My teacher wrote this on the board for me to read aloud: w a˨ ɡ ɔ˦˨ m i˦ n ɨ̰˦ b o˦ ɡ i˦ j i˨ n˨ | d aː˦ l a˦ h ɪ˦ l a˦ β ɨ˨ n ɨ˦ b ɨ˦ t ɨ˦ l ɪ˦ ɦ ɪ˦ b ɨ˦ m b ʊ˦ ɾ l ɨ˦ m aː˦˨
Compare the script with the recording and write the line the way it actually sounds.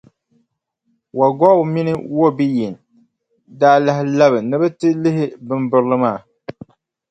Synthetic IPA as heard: w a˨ ɡ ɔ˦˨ m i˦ n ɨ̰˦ w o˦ b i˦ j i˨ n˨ | d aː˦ l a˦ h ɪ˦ l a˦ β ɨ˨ n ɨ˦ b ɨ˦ t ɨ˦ l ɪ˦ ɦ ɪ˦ b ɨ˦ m b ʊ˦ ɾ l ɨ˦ m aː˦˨

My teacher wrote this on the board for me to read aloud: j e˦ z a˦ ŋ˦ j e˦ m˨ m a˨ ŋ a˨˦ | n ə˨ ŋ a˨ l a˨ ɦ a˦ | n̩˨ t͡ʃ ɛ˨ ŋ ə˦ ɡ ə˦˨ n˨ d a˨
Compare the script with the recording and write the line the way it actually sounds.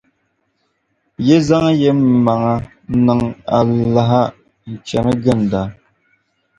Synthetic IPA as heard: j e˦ z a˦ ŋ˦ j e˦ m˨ m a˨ ŋ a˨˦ | n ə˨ ŋ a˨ l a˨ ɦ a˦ | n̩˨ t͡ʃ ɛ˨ m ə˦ ɡ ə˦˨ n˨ d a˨

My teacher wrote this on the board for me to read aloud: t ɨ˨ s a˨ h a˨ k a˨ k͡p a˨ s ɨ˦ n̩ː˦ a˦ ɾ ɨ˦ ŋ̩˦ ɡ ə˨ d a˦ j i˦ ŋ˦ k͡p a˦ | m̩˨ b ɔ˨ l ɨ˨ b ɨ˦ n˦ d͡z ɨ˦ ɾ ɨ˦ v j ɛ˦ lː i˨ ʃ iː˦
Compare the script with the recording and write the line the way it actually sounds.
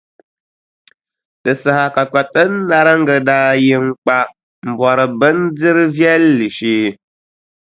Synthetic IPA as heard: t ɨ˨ s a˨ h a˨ k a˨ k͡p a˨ t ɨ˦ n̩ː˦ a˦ ɾ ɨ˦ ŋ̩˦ ɡ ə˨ d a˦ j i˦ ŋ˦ k͡p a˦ | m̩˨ b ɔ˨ ɾ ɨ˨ b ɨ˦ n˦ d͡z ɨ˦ ɾ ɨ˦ v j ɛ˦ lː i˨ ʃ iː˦

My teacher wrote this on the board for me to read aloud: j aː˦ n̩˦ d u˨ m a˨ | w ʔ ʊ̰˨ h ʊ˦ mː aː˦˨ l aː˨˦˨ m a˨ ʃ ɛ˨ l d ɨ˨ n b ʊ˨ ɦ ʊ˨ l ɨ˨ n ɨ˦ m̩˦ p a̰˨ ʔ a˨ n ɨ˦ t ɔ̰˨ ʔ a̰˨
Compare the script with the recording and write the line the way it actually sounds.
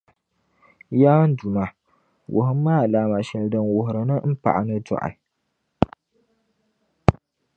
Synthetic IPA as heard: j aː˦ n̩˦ d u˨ m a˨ | w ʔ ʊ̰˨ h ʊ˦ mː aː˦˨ l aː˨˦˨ m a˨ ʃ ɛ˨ l d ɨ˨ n w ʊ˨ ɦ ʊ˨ ɾ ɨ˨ n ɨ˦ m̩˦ p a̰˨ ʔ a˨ n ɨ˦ t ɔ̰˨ ʔ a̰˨

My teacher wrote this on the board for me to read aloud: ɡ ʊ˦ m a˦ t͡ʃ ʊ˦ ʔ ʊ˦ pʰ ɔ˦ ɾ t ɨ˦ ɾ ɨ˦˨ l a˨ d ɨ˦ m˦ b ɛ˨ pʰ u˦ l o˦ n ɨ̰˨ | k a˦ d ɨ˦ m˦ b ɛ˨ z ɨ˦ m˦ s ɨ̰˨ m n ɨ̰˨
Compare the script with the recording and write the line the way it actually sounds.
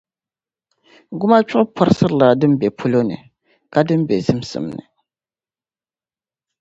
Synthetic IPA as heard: ɡ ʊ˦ m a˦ t͡ʃ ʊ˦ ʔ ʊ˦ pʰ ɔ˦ ɾ s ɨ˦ ɾ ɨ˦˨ l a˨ d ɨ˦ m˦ b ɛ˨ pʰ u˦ l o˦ n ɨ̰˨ | k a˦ d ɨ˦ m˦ b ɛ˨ z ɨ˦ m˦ s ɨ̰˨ m n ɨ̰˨

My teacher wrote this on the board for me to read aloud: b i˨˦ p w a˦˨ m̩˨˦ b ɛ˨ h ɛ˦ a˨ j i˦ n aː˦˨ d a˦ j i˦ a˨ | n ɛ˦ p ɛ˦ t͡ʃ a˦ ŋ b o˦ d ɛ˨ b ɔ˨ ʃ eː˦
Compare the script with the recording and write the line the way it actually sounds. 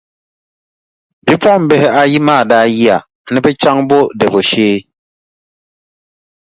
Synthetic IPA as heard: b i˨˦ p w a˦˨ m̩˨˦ b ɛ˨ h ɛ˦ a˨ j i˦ m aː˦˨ d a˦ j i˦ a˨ | n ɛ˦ p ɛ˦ t͡ʃ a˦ ŋ b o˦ d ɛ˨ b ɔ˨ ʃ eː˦

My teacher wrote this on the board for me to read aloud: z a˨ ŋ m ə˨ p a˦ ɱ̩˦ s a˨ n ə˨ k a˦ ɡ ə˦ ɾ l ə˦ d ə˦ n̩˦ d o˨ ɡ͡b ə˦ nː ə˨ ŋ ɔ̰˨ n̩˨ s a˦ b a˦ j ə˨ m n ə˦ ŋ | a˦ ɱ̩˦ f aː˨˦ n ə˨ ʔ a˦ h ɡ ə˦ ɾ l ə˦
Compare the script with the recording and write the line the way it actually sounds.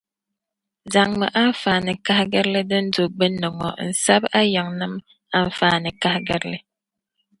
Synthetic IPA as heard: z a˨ ŋ m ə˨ ʔ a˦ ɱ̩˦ f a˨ n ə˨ k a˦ ɡ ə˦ ɾ l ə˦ d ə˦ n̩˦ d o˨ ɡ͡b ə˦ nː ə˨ ŋ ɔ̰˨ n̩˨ s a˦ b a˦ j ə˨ ŋ n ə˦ m | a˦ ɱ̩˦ f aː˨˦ n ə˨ k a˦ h ɡ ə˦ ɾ l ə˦

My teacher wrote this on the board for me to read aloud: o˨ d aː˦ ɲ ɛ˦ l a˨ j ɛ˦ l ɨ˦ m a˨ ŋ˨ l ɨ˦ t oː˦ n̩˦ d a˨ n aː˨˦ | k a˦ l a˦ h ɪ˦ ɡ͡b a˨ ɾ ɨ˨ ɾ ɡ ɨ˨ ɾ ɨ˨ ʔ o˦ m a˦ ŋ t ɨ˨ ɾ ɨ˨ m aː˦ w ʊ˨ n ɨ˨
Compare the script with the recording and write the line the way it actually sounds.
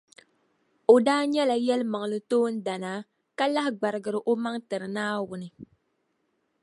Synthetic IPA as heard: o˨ d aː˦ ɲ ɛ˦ l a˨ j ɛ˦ l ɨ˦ m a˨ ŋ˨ l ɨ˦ t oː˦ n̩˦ d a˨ n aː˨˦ | k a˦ l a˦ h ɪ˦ ɡ͡b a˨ ɾ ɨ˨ ɡ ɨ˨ ɾ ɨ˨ ʔ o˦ m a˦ ŋ t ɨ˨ ɾ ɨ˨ n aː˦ w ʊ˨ n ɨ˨

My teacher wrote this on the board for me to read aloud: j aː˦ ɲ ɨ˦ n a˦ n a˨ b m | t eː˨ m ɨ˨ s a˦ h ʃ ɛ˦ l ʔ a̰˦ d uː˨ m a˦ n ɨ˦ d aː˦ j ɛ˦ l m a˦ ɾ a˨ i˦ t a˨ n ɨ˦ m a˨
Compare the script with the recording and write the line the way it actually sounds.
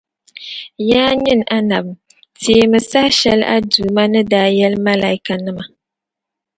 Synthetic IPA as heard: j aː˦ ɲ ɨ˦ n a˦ n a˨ b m | t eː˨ m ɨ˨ s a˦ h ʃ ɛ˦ l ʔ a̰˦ d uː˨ m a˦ n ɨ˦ d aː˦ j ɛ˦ l m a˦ l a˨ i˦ k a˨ n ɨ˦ m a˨

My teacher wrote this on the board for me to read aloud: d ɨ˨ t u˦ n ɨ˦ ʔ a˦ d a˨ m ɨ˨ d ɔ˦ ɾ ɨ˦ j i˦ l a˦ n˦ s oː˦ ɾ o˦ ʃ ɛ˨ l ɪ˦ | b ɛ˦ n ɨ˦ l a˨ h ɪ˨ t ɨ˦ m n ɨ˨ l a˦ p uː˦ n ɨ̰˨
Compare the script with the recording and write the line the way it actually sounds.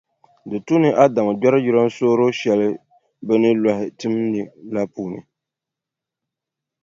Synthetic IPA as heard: d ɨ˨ t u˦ n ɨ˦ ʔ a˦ d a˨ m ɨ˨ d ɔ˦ ɾ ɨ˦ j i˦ ɾ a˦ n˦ s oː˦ ɾ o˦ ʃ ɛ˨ l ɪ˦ | b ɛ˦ n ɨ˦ l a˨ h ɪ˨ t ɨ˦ m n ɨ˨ l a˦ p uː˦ n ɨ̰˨

